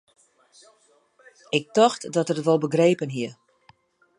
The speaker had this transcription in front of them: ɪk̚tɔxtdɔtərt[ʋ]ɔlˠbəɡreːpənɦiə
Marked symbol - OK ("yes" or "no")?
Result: yes